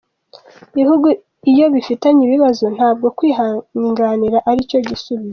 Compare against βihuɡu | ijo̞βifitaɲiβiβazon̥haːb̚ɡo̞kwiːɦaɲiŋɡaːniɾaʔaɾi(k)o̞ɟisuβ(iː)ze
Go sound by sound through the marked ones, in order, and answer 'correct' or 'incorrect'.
incorrect: c, incorrect: i

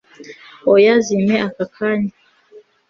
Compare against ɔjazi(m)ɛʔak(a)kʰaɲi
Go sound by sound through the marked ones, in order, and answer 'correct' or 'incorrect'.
correct, correct

